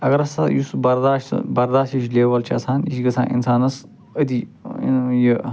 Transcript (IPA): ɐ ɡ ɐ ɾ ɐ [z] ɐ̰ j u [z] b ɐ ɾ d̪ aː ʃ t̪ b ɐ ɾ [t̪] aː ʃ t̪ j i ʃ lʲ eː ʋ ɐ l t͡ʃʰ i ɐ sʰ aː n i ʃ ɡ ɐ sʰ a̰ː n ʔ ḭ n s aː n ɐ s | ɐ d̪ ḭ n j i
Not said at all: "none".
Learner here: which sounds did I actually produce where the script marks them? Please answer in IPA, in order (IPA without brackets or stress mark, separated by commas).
s, s, d̪